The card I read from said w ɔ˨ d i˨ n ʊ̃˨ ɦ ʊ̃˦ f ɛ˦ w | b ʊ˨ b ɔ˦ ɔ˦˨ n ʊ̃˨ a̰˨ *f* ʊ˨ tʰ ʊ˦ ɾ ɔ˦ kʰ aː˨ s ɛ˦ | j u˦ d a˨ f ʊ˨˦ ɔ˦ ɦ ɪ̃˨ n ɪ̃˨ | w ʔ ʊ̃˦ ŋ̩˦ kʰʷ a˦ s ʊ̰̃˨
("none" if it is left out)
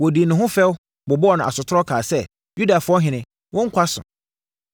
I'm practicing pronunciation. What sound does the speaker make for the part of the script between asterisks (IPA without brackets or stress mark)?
s